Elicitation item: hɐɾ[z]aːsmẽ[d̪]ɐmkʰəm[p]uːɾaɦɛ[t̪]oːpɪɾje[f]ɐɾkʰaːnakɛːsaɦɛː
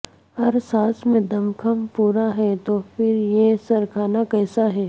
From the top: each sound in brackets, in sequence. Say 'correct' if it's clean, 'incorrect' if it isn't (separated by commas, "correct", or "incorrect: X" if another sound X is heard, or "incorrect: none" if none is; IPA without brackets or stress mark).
incorrect: s, correct, correct, correct, incorrect: s